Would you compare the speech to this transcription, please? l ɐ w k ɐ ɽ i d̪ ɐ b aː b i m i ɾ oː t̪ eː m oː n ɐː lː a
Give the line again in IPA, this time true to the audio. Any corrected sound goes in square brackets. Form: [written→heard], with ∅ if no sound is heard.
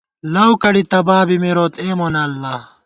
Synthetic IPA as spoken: l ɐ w k ɐ ɽ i [d̪→t̪] ɐ b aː b i m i ɾ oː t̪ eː m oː n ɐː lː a